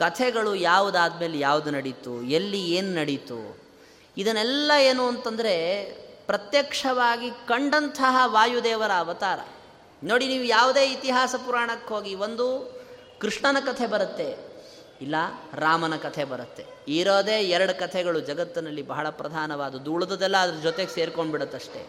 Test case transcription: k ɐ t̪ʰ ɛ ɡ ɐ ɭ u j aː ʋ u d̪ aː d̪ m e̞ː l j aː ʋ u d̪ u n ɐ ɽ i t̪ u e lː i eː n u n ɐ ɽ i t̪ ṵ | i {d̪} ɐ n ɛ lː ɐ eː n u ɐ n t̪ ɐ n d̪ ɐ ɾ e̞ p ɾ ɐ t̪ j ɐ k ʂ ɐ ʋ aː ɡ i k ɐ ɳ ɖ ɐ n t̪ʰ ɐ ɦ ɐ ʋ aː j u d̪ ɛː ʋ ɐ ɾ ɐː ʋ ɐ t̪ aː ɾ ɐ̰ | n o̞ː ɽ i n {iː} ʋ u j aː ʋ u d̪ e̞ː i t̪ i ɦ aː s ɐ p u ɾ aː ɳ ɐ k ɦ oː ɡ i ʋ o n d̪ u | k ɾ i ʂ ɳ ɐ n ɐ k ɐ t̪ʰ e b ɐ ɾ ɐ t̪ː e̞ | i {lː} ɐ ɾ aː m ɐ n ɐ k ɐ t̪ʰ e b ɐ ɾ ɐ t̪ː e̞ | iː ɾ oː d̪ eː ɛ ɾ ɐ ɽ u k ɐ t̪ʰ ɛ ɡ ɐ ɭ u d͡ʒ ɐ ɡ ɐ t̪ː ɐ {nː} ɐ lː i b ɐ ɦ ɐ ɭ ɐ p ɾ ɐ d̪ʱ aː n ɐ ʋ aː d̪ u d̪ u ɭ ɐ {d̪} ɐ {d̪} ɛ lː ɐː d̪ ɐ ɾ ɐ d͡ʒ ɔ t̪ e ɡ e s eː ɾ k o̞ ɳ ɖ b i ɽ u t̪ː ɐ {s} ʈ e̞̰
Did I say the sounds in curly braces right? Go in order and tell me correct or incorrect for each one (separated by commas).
correct, correct, correct, incorrect, correct, correct, incorrect